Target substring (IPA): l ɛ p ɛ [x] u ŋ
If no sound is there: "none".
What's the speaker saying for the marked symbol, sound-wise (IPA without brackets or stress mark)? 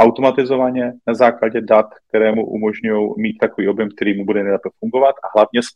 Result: f